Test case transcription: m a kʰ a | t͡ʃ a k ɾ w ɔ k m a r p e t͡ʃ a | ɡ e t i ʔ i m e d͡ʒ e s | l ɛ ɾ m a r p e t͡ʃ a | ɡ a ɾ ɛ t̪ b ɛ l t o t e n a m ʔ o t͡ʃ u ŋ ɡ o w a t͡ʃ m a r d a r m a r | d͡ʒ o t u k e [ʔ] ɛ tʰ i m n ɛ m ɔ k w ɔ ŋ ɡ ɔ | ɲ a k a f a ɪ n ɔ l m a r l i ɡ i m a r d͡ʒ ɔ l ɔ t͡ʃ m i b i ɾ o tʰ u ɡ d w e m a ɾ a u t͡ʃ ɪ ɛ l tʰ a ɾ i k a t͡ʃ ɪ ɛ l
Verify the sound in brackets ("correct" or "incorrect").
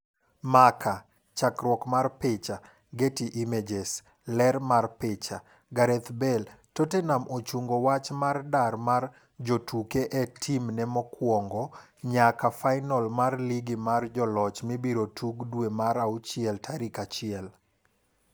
correct